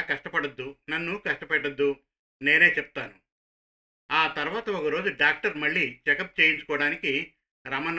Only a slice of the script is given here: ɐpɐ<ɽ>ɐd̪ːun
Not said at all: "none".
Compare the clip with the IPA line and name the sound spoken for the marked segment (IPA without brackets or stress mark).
ɽ